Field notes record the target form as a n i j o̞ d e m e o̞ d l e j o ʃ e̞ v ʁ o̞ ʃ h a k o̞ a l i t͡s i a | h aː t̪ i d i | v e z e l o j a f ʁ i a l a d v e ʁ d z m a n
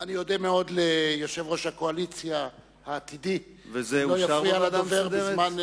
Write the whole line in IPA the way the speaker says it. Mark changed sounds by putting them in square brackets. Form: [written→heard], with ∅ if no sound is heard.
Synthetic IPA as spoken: a n i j o̞ d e m e o̞ d l e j o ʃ e̞ v ʁ o̞ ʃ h a k o̞ a l i t͡s [i→j] a | h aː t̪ i d i | v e z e l o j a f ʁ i a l a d v e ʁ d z m a n